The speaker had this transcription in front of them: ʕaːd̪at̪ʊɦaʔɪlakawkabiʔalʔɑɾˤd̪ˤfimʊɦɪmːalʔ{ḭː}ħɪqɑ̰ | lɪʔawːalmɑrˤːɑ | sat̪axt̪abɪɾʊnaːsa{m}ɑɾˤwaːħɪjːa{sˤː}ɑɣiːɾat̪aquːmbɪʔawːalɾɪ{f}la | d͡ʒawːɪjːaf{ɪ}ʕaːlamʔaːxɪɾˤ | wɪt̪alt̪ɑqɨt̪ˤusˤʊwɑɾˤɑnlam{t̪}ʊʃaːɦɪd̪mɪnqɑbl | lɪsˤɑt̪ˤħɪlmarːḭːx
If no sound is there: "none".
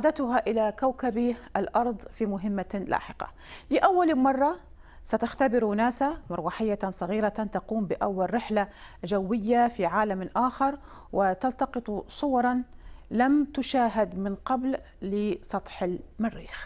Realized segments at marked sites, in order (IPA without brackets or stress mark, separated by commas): a̰ː, m, sˤ, ħ, i, t̪